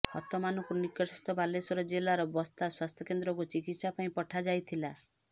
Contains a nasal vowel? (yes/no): yes